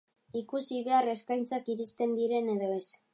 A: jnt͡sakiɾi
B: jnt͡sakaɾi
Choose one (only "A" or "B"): A